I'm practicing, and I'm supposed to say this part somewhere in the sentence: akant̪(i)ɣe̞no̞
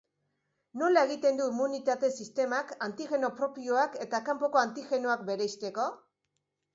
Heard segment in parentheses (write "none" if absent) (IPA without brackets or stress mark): i